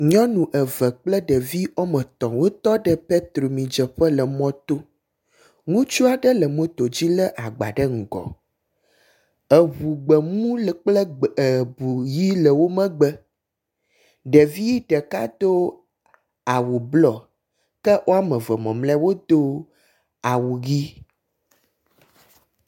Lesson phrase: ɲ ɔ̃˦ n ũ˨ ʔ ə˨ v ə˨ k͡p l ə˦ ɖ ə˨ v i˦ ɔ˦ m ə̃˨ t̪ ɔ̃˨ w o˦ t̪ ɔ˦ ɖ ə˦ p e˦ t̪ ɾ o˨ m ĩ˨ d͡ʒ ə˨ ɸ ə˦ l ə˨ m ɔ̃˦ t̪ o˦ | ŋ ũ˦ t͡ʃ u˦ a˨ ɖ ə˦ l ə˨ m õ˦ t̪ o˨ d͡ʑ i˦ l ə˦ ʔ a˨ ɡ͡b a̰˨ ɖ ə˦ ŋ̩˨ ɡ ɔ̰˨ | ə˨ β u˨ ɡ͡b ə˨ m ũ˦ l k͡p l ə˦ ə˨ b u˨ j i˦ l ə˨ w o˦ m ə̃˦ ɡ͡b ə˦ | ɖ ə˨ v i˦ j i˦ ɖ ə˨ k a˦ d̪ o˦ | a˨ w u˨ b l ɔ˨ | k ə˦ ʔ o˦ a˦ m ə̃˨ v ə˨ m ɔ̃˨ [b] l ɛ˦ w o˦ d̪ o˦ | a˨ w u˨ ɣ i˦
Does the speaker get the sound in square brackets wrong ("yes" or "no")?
yes